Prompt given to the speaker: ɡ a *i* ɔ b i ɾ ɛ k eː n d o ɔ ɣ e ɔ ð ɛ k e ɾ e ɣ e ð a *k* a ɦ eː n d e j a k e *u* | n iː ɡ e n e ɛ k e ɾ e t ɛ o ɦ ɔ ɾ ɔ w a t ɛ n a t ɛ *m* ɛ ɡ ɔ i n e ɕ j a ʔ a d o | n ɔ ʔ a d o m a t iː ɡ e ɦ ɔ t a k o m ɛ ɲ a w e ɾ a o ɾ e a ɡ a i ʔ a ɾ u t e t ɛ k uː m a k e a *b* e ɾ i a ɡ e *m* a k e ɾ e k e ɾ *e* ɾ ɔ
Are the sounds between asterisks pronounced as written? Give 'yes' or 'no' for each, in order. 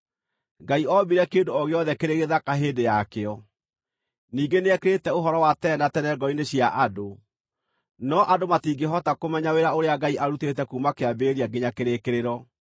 yes, yes, no, no, yes, no, yes

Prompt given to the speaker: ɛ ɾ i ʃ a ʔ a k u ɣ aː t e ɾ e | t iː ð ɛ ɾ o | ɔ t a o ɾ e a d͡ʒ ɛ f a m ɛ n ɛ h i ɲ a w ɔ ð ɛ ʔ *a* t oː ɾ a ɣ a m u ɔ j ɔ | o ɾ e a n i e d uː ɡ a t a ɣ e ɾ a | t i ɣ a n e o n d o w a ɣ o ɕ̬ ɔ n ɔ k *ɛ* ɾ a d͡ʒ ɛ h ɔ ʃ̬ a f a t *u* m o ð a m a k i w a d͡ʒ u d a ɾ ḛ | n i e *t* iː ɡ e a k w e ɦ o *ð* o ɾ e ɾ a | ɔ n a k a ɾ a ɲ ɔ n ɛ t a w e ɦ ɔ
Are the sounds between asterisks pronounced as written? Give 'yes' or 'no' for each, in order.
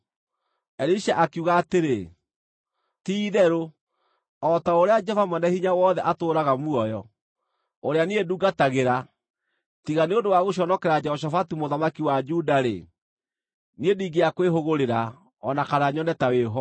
yes, yes, yes, no, no

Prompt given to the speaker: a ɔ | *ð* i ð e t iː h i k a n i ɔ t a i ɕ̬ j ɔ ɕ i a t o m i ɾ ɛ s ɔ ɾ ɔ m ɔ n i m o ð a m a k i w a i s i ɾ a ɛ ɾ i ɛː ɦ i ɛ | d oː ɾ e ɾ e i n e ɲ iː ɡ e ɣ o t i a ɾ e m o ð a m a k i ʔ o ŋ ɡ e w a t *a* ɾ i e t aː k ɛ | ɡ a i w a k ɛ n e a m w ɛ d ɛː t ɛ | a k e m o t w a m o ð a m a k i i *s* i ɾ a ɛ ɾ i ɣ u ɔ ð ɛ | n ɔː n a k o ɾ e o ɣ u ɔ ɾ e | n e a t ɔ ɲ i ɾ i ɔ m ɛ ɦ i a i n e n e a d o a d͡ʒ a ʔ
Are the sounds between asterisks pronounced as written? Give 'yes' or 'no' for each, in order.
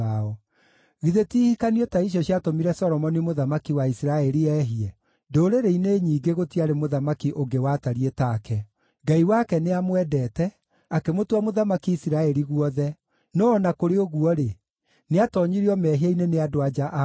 no, yes, yes

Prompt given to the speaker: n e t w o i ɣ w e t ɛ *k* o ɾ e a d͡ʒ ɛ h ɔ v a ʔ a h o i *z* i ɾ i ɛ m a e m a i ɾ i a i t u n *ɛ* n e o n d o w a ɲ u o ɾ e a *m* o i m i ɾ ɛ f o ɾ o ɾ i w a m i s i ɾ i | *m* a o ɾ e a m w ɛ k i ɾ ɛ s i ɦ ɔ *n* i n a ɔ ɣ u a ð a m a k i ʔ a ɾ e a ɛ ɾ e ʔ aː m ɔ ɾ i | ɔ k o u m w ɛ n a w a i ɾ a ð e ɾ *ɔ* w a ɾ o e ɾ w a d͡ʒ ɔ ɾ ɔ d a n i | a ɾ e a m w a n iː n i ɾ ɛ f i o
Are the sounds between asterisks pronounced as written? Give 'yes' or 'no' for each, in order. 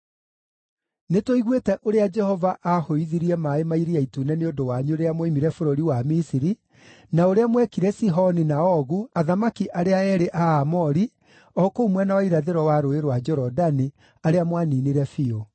no, no, yes, yes, no, yes, yes

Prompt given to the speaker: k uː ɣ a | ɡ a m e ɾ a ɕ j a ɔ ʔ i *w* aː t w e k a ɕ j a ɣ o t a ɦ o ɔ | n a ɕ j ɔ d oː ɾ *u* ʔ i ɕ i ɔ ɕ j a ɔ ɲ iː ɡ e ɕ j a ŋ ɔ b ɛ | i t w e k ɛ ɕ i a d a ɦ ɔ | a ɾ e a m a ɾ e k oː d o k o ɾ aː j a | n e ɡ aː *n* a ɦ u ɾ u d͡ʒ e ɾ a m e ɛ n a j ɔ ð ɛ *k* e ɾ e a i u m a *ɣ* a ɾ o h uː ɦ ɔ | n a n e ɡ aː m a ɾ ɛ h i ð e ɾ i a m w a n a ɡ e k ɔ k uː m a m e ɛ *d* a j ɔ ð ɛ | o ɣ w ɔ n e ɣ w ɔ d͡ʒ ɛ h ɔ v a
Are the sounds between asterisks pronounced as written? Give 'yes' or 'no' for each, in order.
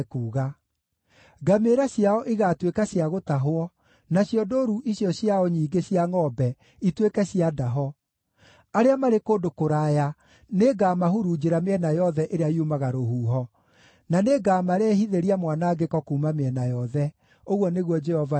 no, yes, no, no, yes, no

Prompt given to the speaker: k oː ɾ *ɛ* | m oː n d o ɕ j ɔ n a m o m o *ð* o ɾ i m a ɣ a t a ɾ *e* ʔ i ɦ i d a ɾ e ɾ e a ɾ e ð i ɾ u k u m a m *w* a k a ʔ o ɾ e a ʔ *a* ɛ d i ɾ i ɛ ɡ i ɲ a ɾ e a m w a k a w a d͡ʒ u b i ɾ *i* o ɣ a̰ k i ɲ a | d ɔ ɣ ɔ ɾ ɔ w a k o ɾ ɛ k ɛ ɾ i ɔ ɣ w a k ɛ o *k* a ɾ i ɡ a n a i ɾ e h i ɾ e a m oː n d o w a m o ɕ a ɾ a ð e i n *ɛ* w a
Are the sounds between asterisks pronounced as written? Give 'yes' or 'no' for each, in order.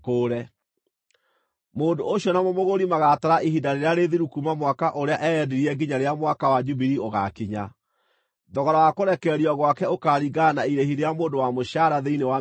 yes, no, no, yes, no, yes, yes, no

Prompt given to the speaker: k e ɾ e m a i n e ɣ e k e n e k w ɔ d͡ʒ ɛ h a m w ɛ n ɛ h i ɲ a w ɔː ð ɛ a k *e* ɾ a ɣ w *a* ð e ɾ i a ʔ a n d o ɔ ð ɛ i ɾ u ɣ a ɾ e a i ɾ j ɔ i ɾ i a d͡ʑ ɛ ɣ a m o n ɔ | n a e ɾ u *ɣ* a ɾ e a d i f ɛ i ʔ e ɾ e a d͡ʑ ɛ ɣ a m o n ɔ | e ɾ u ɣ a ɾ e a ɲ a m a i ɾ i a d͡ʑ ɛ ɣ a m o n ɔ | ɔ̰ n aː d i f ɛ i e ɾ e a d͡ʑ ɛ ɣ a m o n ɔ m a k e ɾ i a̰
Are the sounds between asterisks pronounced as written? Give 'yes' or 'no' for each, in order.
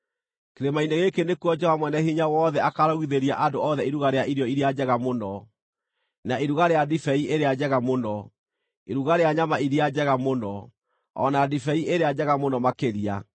no, no, yes

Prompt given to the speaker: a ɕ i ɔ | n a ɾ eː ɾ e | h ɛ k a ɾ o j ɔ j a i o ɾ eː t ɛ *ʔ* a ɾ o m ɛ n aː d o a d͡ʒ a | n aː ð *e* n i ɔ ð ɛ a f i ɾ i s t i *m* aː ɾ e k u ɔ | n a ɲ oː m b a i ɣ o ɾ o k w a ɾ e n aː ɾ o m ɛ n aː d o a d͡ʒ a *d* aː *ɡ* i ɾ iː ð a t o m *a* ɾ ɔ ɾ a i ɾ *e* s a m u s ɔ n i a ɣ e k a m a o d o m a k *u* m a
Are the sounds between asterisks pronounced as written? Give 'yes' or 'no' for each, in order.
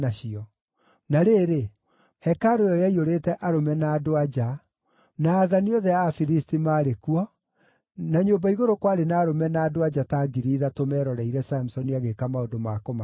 yes, no, yes, no, yes, no, no, no

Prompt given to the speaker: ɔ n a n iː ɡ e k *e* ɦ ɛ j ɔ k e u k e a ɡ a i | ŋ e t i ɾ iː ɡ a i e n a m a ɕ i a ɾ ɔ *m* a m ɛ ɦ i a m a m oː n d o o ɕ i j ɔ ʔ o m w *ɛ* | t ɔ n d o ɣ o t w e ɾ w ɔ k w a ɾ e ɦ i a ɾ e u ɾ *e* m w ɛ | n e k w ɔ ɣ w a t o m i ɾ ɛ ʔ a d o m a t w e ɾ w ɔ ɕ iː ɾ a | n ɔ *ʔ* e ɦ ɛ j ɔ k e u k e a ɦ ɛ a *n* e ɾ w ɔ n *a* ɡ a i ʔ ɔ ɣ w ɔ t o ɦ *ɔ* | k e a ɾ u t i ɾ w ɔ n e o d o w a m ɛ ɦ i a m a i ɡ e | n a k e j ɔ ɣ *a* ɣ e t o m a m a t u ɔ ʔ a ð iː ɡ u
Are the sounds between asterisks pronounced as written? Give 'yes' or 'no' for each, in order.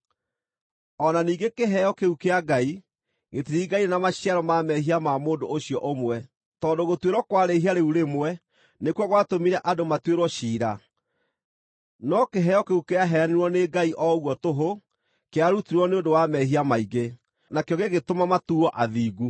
yes, yes, yes, yes, no, yes, no, no, no

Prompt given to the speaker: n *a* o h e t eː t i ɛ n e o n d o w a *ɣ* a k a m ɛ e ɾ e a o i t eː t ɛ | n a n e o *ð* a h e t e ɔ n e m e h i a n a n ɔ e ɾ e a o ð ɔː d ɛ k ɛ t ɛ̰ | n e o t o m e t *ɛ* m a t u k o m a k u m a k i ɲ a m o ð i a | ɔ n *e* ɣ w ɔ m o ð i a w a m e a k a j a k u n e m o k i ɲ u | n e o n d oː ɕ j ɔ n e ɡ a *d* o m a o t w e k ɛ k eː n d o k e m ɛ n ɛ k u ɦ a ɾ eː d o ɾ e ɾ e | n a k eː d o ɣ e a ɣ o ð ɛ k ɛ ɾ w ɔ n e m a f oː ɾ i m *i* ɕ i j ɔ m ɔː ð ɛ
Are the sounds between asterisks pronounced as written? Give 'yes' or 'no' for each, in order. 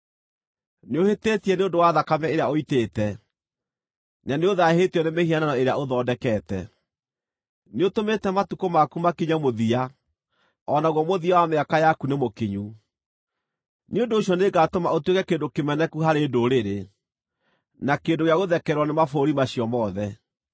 no, no, yes, yes, no, no, no

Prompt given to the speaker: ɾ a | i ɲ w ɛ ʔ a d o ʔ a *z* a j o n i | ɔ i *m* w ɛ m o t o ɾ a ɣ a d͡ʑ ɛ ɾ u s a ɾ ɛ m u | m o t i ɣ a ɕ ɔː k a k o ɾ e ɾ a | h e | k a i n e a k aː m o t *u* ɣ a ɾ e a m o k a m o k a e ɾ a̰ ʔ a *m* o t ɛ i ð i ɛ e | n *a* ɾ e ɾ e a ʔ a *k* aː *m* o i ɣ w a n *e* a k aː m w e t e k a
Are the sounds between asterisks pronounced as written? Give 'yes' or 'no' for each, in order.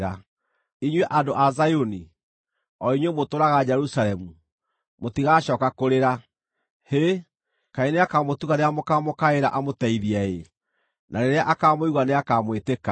yes, no, yes, yes, yes, yes, yes, yes

